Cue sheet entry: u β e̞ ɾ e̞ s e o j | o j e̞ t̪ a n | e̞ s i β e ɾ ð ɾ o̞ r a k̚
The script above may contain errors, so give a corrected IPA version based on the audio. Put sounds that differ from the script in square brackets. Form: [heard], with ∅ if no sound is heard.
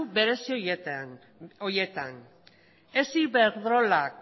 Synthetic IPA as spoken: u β e̞ ɾ e̞ s [i] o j | o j e̞ t̪ a n | e̞ s i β e ɾ ð ɾ o̞ [l] a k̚